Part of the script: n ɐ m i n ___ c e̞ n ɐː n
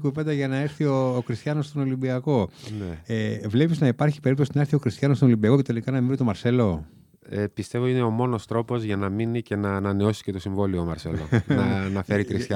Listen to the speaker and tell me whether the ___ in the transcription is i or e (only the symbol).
i